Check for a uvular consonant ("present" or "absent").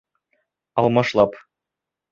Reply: absent